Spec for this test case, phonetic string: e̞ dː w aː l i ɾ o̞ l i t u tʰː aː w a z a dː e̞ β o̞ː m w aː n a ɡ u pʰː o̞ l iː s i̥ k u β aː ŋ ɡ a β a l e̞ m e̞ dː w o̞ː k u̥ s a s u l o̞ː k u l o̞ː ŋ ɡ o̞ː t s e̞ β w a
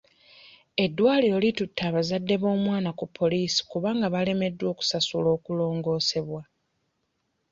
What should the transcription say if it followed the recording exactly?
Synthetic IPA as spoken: e̞ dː w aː l i ɾ o̞ l i t u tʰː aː β a z a dː e̞ β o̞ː m w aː n a k u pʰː o̞ l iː s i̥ k u β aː ŋ ɡ a β a l e̞ m e̞ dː w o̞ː k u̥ s a s u l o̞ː k u l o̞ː ŋ ɡ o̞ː s e̞ β w a